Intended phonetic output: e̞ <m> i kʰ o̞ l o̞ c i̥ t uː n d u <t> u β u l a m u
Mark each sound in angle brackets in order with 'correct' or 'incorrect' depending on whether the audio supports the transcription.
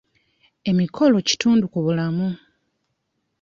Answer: correct, incorrect: k

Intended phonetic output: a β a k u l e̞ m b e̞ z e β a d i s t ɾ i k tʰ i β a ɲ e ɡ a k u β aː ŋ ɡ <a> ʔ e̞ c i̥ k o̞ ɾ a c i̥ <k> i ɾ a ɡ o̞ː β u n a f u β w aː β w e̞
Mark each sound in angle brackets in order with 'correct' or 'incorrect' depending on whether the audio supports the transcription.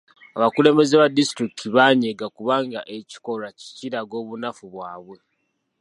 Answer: correct, incorrect: c

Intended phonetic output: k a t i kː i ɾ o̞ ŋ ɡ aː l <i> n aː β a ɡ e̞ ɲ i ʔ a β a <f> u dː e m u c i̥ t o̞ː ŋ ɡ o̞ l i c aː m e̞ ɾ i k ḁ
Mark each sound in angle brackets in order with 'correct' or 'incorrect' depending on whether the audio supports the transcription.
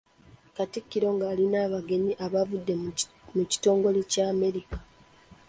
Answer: correct, incorrect: v

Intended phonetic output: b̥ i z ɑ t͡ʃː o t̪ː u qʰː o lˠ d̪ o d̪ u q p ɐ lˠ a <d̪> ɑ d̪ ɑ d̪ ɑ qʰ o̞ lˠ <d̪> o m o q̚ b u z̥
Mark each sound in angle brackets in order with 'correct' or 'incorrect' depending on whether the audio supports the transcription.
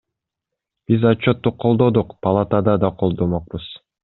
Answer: incorrect: t̪, correct

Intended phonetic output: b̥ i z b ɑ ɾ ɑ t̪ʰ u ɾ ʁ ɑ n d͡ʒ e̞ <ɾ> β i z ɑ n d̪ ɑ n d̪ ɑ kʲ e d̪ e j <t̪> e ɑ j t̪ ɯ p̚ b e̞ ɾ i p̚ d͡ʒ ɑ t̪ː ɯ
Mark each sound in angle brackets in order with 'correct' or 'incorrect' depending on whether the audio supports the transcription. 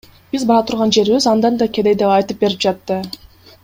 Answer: correct, incorrect: d̪

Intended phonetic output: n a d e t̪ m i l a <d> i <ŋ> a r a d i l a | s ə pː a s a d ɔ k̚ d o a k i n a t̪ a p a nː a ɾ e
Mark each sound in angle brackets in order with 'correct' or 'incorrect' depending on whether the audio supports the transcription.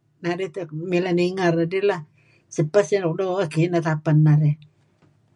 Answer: incorrect: n, correct

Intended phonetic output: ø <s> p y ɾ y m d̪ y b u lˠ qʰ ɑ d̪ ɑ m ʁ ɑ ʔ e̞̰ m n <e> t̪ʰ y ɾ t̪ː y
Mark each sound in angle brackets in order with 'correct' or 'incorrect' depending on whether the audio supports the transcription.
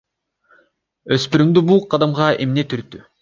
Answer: correct, correct

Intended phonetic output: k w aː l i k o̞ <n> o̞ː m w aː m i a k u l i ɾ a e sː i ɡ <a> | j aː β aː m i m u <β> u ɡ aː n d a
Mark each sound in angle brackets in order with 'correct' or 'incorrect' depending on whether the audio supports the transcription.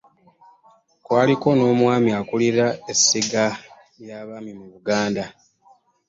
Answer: correct, correct, correct

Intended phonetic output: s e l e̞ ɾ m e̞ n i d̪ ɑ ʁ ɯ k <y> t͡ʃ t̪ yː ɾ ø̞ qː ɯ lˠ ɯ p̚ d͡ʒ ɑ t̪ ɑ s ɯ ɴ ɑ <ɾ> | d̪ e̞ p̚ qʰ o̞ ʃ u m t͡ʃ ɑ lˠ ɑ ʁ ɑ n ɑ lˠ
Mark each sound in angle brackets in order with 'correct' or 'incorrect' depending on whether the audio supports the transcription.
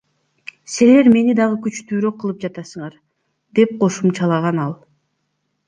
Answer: correct, correct

